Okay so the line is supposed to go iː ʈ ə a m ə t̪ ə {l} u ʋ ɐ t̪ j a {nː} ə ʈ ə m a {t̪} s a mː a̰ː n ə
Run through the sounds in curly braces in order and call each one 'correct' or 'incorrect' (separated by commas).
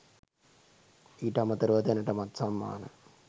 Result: incorrect, incorrect, correct